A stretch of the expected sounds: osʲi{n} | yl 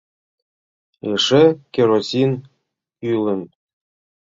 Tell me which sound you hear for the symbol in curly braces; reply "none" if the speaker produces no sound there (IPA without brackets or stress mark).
n